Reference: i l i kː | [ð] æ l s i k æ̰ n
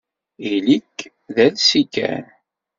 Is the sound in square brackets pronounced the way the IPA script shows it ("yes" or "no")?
yes